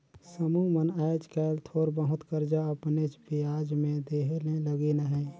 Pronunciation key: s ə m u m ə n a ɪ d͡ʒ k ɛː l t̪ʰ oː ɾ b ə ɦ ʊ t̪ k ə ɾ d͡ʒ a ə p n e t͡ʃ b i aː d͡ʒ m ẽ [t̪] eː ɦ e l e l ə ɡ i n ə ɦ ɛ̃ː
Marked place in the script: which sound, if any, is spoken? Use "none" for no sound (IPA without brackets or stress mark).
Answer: d̪